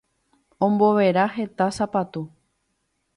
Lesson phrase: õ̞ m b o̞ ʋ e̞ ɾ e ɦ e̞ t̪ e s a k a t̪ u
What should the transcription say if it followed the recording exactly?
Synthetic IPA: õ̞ m b o̞ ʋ e̞ ɾ a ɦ e̞ t̪ a s a p a t̪ u